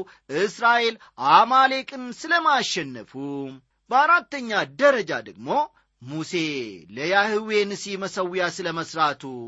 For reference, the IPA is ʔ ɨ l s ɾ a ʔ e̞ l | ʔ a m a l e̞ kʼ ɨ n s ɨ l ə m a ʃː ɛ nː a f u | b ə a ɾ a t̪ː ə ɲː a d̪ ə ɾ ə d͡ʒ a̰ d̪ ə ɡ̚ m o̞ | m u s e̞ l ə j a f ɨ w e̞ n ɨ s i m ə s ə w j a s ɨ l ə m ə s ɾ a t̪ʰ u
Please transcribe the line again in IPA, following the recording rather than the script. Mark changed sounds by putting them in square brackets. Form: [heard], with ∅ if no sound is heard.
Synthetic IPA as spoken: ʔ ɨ [∅] s ɾ a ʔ e̞ l | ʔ a m a l e̞ kʼ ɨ n s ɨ l ə m a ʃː ɛ nː [ə] f u | b ə a ɾ a t̪ː ə ɲː a d̪ ə ɾ ə d͡ʒ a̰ d̪ ə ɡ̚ m o̞ | m u s e̞ l ə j a [h] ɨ w e̞ n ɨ s i m ə s ə w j a s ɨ l ə m ə s ɾ a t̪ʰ u